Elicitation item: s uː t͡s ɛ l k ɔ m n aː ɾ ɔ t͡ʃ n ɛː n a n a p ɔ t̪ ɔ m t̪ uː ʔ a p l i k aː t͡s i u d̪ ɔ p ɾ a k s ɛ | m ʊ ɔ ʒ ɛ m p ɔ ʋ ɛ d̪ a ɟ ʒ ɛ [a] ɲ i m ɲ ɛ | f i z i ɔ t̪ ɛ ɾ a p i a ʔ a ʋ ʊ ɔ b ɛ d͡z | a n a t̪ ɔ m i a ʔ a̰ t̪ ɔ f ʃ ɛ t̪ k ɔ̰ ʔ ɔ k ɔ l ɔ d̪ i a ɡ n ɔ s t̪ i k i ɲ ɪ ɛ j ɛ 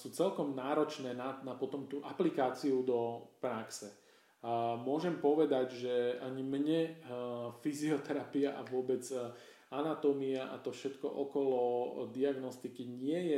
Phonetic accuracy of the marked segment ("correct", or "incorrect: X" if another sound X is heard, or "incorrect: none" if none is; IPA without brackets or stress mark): correct